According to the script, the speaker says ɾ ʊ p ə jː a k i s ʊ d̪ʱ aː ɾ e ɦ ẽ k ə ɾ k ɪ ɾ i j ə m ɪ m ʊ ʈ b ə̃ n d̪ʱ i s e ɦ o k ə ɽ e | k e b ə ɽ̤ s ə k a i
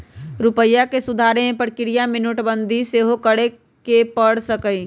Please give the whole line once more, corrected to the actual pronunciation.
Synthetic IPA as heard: ɾ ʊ p ə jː a k e s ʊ d̪ʱ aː ɾ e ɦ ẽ p ə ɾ k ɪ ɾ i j a m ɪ n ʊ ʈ b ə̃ n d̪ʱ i s e ɦ o k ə ɽ e | k e p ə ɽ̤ s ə k ə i

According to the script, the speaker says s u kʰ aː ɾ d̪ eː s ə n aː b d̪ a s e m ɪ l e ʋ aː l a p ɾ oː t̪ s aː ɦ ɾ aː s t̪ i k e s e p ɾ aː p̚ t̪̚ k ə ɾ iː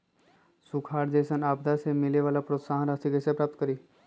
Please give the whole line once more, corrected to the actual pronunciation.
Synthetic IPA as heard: s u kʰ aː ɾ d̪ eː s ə n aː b d̪ a s e m ɪ l e ʋ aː l a p ɾ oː t̪ s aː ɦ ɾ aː s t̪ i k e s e p ɾ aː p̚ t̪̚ k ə ɾ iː

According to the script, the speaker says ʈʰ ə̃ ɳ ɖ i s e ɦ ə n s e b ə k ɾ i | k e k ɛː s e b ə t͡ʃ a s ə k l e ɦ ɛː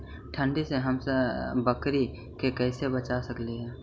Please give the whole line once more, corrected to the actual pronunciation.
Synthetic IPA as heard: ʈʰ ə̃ ɳ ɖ i s e ɦ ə m s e b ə k ɾ i | k e k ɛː s e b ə t͡ʃ a s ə k l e ɦ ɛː

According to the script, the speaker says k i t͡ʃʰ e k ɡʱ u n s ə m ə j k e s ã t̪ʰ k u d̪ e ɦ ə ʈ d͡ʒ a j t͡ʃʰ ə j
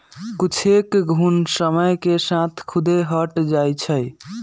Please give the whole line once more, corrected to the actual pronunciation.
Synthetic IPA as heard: k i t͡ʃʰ e k ɡʱ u n s ə m ə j k e s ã t̪ʰ kʰ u d̪ e ɦ ə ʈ d͡ʒ a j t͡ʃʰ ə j

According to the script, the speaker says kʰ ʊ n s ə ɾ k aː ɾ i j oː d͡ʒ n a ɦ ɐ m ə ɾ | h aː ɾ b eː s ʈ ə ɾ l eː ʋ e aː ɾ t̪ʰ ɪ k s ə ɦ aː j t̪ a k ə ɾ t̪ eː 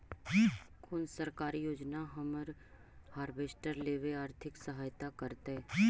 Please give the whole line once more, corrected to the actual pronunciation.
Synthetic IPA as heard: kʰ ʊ n s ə ɾ k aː ɾ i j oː d͡ʒ n a ɦ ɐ m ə ɾ | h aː ɾ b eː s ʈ ə ɾ l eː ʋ e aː ɾ t̪ʰ ɪ k s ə ɦ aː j t̪ a k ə ɾ t̪ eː

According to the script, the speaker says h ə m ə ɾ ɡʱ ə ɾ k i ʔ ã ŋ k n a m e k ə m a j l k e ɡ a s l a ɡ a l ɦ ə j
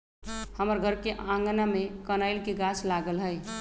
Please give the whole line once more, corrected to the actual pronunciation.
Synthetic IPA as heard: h ə m ə ɾ ɡʱ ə ɾ k e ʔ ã ŋ ɡ n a m e k ə n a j l k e ɡ a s l a ɡ ə l ɦ ə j

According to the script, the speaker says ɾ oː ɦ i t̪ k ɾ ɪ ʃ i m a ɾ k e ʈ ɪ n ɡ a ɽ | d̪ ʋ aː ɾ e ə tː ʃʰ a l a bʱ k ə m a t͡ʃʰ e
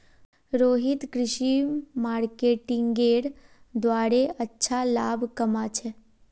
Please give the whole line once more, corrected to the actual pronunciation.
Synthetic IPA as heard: ɾ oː ɦ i t̪ k ɾ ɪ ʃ i m a ɾ k e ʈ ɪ ŋ ɡ e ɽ | d̪ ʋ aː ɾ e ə tː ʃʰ a l a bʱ k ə m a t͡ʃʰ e

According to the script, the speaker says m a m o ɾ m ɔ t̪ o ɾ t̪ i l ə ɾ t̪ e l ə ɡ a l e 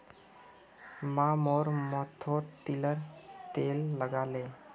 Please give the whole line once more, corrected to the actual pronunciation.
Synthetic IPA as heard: m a m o ɾ m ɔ t̪ʰ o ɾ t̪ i l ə ɾ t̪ e lː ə ɡ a l e

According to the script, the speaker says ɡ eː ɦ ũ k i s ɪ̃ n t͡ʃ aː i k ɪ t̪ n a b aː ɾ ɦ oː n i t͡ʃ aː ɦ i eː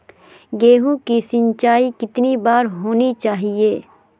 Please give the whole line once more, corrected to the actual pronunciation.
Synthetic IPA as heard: ɡ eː ɦ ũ k i s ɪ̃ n t͡ʃ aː i k ɪ t̪ n i b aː ɾ ɦ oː n i t͡ʃ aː ɦ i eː

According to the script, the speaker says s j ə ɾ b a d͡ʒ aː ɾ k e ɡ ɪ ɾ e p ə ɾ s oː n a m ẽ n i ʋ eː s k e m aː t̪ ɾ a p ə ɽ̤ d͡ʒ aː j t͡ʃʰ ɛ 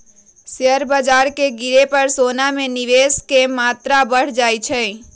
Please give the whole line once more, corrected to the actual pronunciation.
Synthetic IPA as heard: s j ə ɾ b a d͡ʒ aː ɾ k e ɡ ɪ ɾ e p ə ɾ s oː n a m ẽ n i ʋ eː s k e m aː t̪ ɾ a b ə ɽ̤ d͡ʒ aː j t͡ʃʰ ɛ

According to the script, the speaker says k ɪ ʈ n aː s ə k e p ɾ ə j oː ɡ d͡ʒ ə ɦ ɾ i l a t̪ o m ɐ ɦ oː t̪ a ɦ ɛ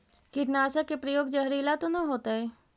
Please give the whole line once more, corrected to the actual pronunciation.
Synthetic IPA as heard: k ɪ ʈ n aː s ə k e p ɾ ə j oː ɡ d͡ʒ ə ɦ ɾ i l a t̪ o n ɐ ɦ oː t̪ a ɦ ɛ

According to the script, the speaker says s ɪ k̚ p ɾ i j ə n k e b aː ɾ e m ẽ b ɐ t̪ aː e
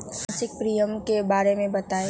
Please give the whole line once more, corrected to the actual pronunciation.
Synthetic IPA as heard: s ɪ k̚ p ɾ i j ə m k e b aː ɾ e m ẽ b ɐ t̪ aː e

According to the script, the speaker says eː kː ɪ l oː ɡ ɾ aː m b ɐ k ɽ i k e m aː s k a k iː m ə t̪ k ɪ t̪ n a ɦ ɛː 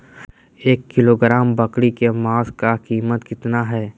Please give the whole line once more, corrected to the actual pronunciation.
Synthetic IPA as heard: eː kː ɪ l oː ɡ ɾ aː m b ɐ k ɽ i k e m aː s k a k iː m ə t̪ k ɪ t̪ n a ɦ ɛː

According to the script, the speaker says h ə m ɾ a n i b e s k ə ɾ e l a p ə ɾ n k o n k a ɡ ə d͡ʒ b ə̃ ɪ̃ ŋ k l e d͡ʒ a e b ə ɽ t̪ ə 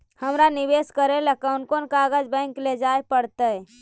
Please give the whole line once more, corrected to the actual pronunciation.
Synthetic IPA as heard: h ə m ɾ a n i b e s k ə ɾ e l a k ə n k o n k a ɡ ə d͡ʒ b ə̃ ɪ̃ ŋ k l e d͡ʒ a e p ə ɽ t̪ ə

